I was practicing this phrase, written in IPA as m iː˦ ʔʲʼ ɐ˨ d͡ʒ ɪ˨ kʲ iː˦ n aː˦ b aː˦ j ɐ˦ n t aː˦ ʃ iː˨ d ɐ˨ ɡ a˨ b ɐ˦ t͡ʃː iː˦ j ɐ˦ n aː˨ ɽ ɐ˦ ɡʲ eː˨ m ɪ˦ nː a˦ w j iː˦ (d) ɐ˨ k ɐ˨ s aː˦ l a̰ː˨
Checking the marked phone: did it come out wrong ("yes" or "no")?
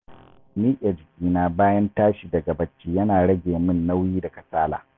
no